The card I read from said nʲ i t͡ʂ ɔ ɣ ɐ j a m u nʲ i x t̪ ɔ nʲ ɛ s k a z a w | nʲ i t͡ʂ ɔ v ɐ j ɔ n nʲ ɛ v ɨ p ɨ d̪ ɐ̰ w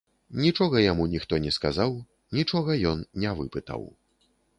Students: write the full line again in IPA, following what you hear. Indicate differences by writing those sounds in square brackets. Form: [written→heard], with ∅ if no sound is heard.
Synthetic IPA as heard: nʲ i t͡ʂ ɔ ɣ ɐ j a m u nʲ i x t̪ ɔ nʲ ɛ s k a z a w | nʲ i t͡ʂ ɔ [v→ɣ] ɐ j ɔ n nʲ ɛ v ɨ p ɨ [d̪→t̪] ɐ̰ w